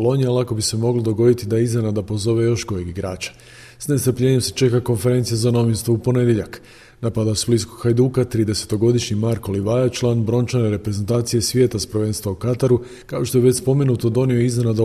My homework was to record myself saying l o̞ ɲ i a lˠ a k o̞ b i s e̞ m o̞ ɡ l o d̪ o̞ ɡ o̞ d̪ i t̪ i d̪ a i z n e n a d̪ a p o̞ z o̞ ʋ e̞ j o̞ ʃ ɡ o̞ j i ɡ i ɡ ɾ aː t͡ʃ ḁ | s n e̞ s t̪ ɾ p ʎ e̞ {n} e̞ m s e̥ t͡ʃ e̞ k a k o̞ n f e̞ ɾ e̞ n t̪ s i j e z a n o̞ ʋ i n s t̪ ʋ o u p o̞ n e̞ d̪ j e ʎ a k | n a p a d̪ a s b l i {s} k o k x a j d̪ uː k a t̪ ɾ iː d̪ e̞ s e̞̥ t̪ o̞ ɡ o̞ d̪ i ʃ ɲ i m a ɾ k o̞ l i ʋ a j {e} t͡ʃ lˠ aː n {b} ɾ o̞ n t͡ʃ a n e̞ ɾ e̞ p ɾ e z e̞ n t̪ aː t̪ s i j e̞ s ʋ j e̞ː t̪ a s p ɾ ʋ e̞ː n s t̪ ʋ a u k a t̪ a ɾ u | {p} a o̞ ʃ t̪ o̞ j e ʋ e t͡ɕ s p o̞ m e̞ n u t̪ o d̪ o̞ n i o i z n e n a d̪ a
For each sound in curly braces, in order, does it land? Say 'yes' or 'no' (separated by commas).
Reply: no, yes, no, yes, no